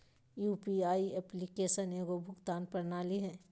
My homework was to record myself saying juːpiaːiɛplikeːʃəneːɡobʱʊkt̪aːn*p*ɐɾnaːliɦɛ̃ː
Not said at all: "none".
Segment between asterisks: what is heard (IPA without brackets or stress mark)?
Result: p